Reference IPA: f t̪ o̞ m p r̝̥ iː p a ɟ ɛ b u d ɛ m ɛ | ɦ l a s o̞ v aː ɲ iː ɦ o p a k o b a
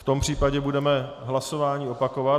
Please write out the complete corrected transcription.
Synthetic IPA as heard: f t̪ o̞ m p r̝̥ iː p a ɟ ɛ b u d ɛ m ɛ | ɦ l a s o̞ v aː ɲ iː o p a k o v a